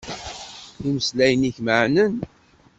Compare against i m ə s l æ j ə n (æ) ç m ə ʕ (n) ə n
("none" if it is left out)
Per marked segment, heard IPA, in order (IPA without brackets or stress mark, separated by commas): i, n